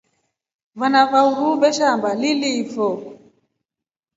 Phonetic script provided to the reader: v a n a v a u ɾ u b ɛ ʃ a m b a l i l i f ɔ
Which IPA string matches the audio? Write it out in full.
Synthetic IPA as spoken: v a n a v a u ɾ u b ɛ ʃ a m b a l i l i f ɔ